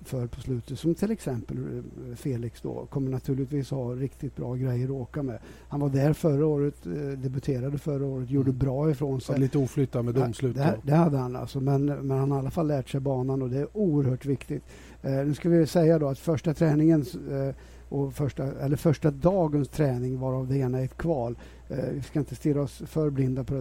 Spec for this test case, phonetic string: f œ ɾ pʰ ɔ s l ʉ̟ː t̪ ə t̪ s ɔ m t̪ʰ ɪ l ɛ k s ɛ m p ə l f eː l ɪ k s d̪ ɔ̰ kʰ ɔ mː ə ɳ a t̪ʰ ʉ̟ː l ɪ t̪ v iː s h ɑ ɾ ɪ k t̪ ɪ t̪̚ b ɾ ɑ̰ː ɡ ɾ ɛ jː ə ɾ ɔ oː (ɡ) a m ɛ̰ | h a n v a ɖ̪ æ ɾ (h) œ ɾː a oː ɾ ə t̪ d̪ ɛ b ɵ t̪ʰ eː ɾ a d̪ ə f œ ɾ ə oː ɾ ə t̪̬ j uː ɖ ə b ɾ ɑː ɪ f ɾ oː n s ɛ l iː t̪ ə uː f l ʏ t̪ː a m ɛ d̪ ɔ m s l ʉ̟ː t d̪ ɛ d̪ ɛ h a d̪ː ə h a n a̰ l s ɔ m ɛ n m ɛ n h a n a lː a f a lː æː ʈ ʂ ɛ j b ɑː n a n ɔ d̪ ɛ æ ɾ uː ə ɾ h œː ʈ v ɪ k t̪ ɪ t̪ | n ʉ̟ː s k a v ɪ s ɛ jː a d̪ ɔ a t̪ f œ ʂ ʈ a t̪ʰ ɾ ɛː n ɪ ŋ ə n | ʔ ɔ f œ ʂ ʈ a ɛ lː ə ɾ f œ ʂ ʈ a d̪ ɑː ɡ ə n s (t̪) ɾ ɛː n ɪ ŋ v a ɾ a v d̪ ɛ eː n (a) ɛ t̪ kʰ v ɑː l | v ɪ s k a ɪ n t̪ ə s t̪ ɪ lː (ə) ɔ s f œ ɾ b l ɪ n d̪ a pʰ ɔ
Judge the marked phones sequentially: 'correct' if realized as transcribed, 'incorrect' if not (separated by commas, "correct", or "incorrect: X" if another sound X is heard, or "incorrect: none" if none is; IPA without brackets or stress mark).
incorrect: k, incorrect: f, incorrect: t̪ʰ, correct, incorrect: a